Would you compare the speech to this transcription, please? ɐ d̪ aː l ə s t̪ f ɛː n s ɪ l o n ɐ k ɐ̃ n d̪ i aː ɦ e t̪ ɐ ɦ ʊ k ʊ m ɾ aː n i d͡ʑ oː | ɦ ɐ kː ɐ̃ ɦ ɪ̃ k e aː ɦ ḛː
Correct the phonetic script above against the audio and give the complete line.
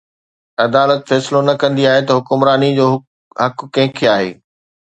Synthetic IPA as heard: ɐ d̪ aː l ə t̪ f ɛː s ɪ l o n ɐ k ɐ̃ n d̪ i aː ɦ e t̪ ɐ ɦ ʊ k ʊ m ɾ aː n i d͡ʑ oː | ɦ ɐ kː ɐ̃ ɦ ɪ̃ kʰ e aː ɦ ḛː